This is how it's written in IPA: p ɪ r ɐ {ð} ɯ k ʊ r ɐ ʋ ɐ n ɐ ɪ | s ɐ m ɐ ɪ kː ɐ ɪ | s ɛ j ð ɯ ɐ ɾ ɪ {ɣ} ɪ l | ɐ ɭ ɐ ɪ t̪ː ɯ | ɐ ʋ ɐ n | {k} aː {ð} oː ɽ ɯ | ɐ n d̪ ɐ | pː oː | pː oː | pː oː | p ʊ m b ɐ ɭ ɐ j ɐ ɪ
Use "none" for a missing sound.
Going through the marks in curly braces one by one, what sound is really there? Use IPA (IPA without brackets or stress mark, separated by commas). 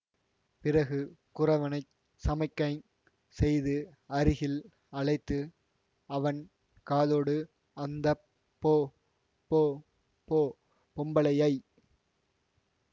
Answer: ɣ, ɣ, k, ð